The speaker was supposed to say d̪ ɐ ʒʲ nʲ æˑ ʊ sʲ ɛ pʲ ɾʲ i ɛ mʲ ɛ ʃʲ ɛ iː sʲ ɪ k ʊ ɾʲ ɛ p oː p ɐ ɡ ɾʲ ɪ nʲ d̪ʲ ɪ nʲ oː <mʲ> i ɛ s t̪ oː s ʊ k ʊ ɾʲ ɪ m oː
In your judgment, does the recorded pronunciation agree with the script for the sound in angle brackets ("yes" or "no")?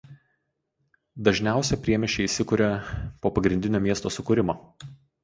yes